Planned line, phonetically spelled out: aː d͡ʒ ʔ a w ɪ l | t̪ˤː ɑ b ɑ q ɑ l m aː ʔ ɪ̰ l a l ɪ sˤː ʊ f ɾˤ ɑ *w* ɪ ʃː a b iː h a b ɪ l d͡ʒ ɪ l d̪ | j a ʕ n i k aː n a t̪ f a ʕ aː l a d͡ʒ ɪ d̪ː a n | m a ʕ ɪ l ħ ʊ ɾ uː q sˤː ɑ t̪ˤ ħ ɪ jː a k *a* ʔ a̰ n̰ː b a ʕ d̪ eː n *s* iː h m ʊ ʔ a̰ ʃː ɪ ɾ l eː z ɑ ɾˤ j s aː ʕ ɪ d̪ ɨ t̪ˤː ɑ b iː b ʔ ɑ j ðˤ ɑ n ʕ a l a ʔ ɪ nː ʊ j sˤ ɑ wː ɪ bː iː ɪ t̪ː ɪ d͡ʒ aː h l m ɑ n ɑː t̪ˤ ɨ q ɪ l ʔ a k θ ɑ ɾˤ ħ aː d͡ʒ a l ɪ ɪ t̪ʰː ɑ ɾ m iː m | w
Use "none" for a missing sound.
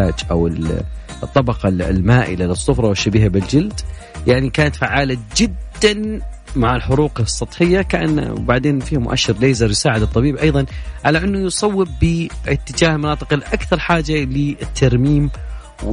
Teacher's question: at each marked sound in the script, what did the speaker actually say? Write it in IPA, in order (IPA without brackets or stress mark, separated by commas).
w, a, f